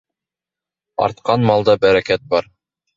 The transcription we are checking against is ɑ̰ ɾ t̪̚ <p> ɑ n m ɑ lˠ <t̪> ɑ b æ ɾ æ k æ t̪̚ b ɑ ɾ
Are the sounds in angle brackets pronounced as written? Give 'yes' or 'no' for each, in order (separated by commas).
no, no